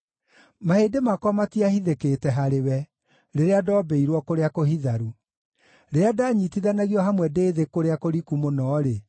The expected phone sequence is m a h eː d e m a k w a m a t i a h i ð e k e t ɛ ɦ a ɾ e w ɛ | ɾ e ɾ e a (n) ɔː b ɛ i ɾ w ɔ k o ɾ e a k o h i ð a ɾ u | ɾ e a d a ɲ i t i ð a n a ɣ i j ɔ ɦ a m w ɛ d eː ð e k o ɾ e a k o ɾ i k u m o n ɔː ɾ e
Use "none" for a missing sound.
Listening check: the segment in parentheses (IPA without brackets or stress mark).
d